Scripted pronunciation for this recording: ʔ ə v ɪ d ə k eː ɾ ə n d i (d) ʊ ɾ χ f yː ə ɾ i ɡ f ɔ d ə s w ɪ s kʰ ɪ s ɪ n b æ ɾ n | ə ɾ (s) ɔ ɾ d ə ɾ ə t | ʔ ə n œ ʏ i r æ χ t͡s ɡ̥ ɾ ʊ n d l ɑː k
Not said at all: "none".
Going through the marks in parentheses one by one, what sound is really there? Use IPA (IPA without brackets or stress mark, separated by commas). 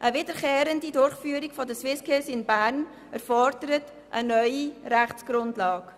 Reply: d, f